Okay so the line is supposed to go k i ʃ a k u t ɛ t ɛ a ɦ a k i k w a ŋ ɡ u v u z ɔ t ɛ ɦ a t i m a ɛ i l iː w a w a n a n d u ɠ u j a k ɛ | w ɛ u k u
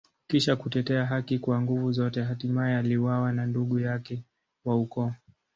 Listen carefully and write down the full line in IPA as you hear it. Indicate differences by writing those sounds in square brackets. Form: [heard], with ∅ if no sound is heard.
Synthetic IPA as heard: k i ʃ a k u t ɛ t ɛ a ɦ a k i k w a ŋ ɡ u v u z ɔ t ɛ ɦ a t i m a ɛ [a] l [i] w a w a n a n d u ɠ u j a k ɛ | w [a] u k [ɔ]